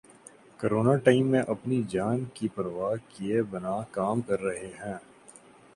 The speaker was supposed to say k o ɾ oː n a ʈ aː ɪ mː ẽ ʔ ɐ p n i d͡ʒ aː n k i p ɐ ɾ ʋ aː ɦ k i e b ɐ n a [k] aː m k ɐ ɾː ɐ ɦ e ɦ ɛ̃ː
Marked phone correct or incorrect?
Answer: correct